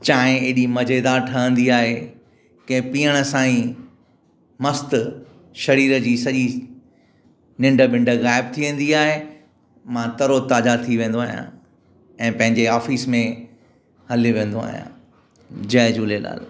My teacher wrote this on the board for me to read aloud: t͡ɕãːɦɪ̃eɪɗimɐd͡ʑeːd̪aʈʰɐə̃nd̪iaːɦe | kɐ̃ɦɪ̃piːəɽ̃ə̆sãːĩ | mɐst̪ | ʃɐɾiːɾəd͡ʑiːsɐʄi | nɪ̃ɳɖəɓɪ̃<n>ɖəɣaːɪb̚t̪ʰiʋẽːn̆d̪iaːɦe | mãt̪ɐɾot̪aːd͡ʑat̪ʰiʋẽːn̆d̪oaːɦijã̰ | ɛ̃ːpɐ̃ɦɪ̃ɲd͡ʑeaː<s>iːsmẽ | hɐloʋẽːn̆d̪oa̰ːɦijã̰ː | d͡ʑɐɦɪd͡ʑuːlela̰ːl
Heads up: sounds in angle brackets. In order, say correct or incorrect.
incorrect, incorrect

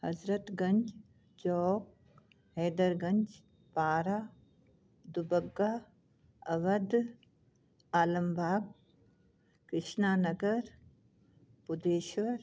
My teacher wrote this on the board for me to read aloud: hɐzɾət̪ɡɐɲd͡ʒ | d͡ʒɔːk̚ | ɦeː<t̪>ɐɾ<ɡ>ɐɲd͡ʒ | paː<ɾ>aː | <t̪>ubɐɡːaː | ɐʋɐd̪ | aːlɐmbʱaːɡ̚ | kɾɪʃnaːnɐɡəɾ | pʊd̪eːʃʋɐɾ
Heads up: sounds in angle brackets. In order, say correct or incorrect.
incorrect, correct, correct, incorrect

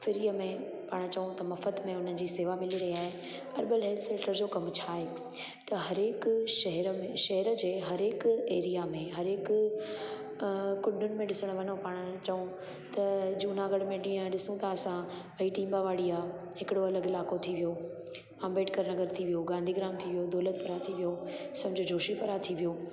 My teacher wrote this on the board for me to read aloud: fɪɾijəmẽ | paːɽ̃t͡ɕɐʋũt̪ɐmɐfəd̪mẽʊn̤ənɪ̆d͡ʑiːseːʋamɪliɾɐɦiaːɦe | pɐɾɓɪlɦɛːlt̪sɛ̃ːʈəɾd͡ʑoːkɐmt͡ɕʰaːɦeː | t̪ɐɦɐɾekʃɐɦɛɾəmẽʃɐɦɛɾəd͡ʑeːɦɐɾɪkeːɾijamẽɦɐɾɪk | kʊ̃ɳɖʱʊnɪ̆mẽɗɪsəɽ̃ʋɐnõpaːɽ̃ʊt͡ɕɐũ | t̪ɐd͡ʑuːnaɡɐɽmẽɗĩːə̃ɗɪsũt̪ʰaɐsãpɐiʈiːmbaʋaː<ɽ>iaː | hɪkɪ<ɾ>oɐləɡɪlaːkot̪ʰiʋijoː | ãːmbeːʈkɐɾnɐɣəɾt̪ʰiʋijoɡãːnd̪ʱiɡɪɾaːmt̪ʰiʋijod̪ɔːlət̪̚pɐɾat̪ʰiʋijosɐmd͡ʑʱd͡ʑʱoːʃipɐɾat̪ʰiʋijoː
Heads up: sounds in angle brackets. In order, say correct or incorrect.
correct, incorrect

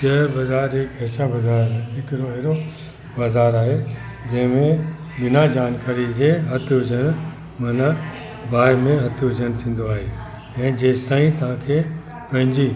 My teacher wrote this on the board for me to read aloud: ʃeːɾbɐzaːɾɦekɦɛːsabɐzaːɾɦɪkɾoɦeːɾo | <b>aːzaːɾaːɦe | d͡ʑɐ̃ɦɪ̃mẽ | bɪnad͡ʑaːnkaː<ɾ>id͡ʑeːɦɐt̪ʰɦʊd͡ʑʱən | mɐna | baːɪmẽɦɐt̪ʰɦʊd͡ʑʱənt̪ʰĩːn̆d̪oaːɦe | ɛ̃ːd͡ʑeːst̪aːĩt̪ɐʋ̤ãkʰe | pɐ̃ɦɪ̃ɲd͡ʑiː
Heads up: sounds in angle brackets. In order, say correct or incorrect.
correct, correct

